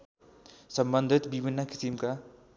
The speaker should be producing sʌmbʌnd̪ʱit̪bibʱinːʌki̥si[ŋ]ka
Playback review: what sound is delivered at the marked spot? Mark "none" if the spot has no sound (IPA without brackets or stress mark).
m